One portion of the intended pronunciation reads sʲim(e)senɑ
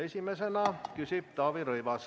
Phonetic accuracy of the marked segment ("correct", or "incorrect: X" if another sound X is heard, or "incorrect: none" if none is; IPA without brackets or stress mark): correct